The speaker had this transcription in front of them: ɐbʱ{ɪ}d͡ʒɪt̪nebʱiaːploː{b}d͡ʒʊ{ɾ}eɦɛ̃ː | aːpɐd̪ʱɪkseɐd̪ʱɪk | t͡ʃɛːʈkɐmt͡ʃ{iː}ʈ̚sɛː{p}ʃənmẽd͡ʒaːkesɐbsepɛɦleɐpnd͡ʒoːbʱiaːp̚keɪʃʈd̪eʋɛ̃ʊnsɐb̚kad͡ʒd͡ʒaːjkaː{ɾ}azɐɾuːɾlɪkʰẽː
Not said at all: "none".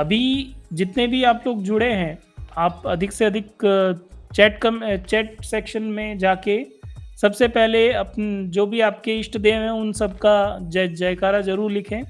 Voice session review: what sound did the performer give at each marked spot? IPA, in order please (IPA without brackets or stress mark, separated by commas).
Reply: i, ɡ, ɽ, ɛː, k, ɾ